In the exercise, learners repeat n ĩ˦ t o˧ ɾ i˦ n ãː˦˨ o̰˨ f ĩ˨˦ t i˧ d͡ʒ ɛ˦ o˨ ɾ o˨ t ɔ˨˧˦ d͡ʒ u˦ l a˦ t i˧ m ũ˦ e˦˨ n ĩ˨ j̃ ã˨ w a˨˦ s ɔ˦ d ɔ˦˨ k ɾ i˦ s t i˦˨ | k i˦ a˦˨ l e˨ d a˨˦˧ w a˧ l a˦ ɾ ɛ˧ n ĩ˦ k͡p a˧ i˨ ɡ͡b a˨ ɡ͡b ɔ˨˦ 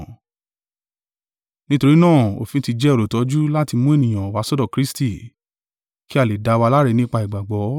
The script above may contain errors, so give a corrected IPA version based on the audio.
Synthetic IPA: n ĩ˦ t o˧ ɾ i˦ n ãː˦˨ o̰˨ f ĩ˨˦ t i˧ d͡ʒ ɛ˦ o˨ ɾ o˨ t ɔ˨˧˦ d͡ʒ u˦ l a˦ t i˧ m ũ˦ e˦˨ n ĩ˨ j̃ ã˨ w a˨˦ s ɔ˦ d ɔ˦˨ k ɾ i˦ s t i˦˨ | k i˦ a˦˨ l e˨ d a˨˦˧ w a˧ l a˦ ɾ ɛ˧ n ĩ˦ k͡p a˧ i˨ ɡ͡b a˨ ɡ͡b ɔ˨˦